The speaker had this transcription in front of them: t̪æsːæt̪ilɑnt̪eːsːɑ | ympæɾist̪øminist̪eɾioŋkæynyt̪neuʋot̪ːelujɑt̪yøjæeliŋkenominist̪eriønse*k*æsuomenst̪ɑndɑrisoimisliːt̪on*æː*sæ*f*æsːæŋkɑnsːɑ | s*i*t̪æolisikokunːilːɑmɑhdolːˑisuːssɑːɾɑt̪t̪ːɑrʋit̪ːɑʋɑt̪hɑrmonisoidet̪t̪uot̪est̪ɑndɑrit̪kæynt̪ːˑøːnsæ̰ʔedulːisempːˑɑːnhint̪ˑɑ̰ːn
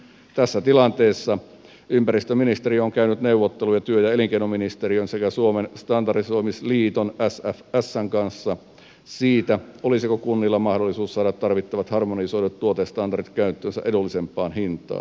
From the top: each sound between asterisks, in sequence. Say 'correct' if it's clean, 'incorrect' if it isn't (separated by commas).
correct, incorrect, correct, incorrect